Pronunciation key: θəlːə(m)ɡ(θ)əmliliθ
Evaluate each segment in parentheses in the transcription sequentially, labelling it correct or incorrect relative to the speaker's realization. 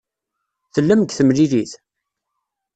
correct, correct

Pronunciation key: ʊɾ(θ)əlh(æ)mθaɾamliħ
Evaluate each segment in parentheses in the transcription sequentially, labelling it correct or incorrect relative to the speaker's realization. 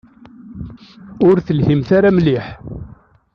correct, incorrect: i

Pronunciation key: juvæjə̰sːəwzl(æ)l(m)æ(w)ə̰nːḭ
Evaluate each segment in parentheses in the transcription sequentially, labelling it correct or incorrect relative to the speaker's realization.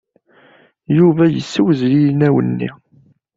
incorrect: i, incorrect: n, correct

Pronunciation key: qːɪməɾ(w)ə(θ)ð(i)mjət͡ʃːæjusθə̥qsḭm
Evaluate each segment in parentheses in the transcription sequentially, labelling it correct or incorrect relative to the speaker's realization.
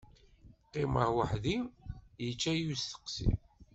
correct, incorrect: ħ, correct

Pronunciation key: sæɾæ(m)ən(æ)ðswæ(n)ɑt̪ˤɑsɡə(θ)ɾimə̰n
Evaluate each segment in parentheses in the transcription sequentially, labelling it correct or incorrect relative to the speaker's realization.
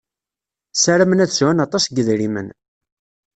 correct, correct, correct, incorrect: ð

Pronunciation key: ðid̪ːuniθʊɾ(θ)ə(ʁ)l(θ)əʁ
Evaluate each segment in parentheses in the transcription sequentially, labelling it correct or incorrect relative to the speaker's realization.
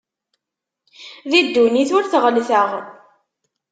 correct, correct, correct

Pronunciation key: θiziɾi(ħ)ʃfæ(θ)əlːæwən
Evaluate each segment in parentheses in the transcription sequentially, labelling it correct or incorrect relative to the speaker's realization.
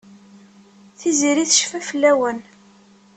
incorrect: θ, incorrect: f

